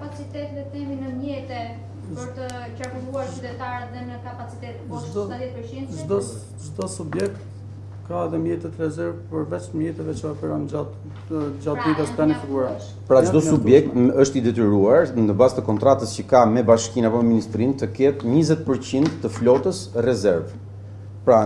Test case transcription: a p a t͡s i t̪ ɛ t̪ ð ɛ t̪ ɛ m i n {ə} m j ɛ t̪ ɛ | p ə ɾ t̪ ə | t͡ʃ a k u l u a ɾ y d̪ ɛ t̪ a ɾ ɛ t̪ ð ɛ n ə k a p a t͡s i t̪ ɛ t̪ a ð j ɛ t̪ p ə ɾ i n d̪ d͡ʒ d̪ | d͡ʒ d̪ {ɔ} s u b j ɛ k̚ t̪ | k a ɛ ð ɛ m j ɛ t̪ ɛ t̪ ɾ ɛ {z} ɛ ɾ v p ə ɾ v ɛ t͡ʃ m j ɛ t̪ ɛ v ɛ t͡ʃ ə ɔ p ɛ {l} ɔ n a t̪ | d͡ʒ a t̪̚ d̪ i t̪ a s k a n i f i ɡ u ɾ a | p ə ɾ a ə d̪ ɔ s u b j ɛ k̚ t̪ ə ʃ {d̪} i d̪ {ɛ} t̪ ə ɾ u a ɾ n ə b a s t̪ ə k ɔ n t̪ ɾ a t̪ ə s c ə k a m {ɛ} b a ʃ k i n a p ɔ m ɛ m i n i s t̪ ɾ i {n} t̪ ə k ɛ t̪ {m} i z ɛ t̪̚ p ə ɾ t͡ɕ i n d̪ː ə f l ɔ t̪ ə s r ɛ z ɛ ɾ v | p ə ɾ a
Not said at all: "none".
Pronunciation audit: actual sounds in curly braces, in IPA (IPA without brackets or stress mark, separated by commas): ə, ɔ, z, ɾ, t̪, ɛ, ɛ, n, ɲ